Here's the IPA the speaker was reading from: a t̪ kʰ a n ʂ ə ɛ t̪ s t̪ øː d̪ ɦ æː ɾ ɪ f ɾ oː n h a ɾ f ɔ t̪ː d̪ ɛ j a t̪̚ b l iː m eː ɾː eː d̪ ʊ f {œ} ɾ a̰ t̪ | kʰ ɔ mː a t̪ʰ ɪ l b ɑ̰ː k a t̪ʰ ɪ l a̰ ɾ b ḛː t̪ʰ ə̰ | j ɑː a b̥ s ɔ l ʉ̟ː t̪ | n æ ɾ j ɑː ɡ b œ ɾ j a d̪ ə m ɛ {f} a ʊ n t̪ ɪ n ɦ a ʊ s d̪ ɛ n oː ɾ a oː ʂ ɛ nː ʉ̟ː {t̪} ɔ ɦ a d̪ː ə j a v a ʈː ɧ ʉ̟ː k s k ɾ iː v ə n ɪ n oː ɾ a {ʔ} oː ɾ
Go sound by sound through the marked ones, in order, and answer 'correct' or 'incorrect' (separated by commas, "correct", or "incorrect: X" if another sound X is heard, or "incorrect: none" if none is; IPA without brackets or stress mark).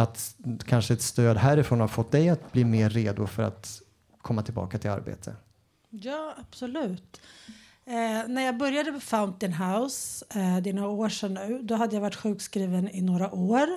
correct, correct, incorrect: d̪, correct